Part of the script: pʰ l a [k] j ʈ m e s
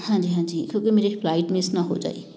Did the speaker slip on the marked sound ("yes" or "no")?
yes